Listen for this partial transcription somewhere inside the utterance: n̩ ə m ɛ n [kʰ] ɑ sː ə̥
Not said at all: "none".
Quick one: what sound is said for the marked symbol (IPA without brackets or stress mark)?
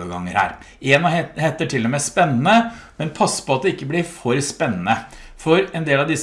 pʰ